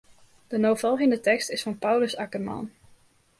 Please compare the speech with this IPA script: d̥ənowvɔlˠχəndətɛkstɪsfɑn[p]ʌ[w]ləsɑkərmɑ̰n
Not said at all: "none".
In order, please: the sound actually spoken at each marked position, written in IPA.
p, w

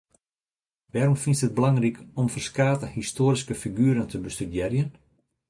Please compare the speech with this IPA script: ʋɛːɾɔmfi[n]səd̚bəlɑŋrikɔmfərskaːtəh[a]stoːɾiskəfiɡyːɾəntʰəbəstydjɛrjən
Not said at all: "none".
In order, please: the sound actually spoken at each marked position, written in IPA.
n, i

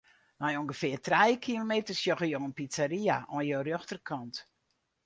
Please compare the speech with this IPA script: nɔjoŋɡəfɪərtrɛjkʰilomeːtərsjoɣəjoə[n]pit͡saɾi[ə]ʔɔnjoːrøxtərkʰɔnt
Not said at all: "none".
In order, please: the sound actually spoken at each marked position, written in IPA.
n, a

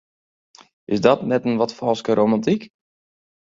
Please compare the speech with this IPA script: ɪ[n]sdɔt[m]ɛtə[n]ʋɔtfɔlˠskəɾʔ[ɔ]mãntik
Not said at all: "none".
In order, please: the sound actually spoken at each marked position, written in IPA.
none, n, n, o

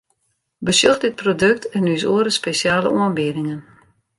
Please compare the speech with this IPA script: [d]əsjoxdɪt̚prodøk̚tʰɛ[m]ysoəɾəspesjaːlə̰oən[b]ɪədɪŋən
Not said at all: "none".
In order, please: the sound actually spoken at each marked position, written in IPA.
b, n, b

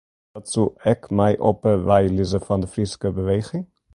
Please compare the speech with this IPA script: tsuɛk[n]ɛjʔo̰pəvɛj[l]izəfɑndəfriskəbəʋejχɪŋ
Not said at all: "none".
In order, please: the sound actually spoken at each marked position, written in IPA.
m, l

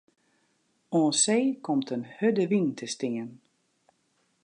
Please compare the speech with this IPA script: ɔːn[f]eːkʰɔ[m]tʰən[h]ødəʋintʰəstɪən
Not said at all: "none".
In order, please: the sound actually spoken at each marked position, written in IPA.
s, m, h

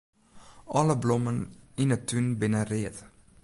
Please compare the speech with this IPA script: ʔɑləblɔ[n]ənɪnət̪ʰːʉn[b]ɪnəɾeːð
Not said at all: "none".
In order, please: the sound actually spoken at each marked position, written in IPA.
m, b

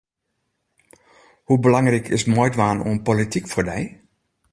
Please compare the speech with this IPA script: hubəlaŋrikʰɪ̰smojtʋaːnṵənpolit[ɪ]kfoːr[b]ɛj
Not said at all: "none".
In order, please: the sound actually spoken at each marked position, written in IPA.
i, d

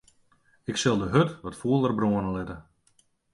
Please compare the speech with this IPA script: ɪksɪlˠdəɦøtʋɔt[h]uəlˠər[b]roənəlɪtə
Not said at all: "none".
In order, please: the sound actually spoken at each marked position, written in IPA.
f, b

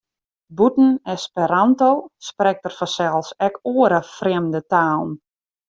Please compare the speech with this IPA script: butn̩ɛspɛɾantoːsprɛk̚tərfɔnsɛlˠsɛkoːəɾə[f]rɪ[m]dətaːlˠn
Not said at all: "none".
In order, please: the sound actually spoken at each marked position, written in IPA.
f, m

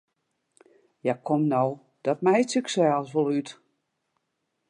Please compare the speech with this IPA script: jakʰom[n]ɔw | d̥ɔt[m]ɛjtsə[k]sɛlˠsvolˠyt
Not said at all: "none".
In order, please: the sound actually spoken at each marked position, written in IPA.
n, m, k

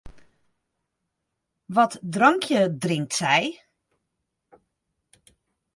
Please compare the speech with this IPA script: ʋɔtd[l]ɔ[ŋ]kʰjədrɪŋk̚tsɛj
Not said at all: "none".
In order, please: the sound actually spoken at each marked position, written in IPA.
r, ŋ

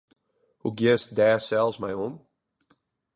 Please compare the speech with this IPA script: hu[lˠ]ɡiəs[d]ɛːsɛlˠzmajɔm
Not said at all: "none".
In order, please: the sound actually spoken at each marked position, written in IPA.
none, d

